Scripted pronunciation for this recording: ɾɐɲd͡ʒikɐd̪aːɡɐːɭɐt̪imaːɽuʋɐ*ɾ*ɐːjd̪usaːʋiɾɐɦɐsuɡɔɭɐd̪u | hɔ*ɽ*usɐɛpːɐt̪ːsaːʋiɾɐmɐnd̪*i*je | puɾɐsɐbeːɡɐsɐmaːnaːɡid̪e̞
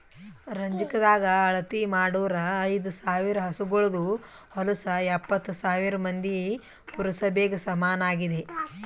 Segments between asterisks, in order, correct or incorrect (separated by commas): correct, incorrect, correct